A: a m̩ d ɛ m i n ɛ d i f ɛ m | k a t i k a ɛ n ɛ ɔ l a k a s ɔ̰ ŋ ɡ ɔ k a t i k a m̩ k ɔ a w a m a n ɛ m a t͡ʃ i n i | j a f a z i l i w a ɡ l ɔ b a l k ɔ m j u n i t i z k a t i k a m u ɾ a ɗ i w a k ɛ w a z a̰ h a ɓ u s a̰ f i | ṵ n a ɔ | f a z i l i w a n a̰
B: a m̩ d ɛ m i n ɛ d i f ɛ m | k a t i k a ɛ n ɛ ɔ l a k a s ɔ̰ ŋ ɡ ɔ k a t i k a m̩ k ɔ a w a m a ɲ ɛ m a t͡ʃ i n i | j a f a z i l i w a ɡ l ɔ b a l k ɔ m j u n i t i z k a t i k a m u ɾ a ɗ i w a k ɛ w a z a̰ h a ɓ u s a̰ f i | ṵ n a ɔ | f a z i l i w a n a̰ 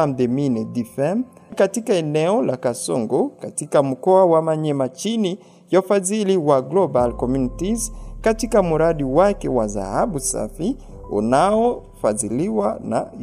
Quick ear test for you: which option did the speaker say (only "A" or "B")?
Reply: B